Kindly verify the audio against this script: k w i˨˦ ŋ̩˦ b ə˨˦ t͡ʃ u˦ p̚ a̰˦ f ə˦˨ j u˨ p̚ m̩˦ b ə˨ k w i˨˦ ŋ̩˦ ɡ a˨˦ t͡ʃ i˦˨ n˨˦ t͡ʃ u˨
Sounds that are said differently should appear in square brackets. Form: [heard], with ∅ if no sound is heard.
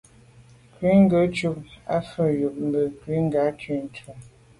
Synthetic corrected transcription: k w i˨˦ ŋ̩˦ [ɡ] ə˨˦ t͡ʃ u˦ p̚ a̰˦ f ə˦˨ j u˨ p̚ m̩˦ b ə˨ k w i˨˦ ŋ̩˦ ɡ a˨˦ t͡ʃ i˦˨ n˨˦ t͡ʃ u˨